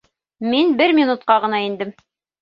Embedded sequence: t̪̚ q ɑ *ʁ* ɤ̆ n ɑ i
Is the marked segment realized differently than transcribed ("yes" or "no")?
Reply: no